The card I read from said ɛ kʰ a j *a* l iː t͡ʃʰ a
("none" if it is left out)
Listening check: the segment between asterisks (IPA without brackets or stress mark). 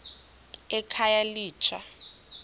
a